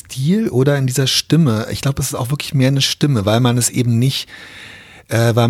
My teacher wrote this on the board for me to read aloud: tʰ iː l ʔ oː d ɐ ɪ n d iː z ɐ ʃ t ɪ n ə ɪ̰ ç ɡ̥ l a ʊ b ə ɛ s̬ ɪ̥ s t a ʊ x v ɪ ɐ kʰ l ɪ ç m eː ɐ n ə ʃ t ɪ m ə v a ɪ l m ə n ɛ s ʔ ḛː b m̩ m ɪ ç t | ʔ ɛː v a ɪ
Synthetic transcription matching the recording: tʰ iː l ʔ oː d ɐ ɪ n d iː z ɐ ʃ t ɪ m ə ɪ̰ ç ɡ̥ l a ʊ b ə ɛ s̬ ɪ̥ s t a ʊ x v ɪ ɐ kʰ l ɪ ç m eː ɐ n ə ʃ t ɪ m ə v a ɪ l m a n ɛ s ʔ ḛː b m̩ n ɪ ç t | ʔ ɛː v a ɪ